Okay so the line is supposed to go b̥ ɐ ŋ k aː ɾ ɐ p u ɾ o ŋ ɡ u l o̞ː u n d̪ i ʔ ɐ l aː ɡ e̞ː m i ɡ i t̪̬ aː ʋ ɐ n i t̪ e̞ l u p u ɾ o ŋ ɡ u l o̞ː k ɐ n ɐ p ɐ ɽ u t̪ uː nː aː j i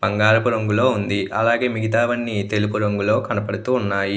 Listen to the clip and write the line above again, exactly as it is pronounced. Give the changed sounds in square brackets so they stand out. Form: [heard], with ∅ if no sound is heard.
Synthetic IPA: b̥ ɐ ŋ [ɡ] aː ɾ ɐ p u ɾ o ŋ ɡ u l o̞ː u n d̪ i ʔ ɐ l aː ɡ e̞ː m i ɡ i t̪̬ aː ʋ ɐ [nː] i t̪ e̞ l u p u ɾ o ŋ ɡ u l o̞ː k ɐ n ɐ p ɐ ɽ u t̪ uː nː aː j i